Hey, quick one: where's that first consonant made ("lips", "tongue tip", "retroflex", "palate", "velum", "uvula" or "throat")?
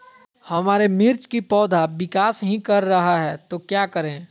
throat